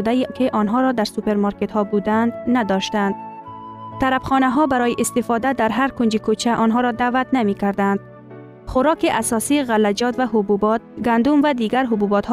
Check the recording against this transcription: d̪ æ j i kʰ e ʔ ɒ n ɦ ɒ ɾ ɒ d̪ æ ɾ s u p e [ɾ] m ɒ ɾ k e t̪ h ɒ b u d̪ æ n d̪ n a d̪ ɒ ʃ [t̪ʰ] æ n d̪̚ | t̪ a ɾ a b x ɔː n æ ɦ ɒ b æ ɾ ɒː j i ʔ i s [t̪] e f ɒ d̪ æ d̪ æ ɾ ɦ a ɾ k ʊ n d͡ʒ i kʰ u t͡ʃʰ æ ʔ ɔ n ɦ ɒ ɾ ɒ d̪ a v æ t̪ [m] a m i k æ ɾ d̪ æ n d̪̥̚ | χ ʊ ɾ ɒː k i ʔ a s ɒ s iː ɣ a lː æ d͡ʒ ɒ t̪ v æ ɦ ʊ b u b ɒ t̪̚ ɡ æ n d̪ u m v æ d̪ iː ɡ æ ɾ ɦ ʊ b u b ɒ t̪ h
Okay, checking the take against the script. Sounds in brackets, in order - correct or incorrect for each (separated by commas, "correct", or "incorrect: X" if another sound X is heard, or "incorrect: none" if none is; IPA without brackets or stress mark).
correct, incorrect: t̪, correct, incorrect: n